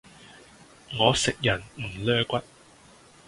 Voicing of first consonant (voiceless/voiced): voiced